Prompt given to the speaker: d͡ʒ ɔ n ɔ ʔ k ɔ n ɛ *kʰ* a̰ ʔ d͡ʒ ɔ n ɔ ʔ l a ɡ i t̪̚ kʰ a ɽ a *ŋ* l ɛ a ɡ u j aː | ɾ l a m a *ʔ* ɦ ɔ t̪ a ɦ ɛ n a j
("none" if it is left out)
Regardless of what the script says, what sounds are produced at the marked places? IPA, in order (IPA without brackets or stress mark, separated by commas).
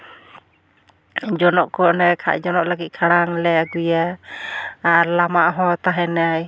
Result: kʰ, ŋ, ʔ